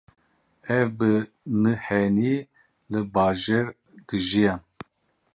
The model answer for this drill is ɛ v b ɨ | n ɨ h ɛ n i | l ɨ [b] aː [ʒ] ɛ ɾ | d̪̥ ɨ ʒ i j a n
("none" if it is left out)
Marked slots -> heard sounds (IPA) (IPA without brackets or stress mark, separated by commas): b, ʒ